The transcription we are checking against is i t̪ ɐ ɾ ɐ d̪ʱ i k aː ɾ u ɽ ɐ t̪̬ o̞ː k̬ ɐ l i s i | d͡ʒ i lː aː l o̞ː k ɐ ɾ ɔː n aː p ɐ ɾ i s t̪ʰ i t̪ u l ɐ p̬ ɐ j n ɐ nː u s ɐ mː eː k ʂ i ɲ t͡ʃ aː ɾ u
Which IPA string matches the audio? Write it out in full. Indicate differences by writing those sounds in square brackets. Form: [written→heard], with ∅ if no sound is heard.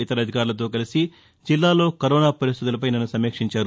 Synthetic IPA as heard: i t̪ ɐ ɾ ɐ d̪ʱ i k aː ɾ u [ɽ→l] ɐ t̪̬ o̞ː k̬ ɐ l i s i | d͡ʒ i lː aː l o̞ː k ɐ ɾ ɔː n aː p ɐ ɾ i s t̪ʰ i t̪ u l ɐ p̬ ɐ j n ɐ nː u s ɐ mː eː k ʂ i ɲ t͡ʃ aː ɾ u